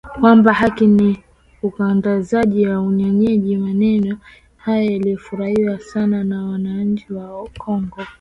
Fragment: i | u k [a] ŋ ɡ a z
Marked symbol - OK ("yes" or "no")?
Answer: yes